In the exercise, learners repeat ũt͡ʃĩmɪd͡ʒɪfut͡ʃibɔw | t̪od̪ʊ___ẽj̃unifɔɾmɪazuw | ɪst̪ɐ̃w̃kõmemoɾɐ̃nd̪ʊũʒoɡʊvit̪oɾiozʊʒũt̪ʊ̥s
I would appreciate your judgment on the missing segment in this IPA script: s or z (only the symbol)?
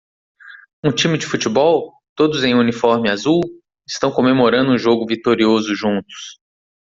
z